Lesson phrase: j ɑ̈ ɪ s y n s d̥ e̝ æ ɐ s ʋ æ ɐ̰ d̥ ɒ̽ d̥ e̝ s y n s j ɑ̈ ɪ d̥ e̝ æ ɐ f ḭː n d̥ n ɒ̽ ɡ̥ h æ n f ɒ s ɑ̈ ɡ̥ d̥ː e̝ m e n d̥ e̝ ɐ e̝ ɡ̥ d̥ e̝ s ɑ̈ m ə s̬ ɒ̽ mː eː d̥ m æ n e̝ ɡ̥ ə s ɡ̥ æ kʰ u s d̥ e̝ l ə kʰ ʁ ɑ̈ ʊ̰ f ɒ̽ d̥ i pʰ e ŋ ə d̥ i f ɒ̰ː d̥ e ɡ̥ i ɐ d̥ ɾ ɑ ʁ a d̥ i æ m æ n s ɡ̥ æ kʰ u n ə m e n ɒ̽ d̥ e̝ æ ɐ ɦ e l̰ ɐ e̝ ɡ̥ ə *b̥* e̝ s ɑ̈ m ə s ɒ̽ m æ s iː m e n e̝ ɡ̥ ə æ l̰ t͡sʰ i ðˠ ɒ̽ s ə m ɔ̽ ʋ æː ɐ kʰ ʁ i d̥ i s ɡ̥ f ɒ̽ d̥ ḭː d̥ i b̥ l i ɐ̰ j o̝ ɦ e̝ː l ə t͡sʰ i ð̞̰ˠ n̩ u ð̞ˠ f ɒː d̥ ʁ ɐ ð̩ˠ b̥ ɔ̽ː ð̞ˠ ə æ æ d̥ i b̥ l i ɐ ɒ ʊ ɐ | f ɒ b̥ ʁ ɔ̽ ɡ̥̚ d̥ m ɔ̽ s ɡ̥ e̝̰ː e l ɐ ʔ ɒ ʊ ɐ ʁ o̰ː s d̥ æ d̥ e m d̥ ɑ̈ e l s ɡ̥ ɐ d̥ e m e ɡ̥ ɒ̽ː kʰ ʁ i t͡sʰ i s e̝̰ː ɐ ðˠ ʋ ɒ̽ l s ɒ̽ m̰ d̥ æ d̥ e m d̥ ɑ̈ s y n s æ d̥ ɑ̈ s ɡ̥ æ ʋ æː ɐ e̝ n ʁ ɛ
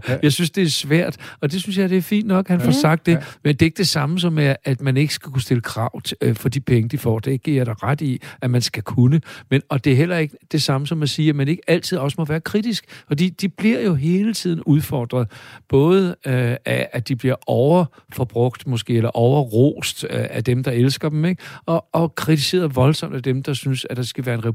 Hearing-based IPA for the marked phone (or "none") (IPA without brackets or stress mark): d̥